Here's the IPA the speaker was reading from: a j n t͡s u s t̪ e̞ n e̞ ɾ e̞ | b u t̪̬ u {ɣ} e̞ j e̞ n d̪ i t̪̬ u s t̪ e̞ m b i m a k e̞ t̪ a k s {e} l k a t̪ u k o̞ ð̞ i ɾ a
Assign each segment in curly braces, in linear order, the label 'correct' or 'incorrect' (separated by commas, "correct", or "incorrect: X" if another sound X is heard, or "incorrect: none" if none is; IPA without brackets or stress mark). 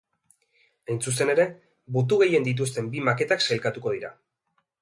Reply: correct, correct